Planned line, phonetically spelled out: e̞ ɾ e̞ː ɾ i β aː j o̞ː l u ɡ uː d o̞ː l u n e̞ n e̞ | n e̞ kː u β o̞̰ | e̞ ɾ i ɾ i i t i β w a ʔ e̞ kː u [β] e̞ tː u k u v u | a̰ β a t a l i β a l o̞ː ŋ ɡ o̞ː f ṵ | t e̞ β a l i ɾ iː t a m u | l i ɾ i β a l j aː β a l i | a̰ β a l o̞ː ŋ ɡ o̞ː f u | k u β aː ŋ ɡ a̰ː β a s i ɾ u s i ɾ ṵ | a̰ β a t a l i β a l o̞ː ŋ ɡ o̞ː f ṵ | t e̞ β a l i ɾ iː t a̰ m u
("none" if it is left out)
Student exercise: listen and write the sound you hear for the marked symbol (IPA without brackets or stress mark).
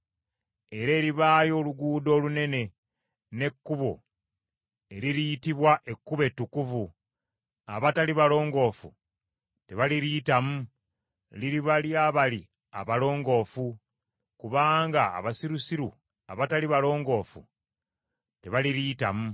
β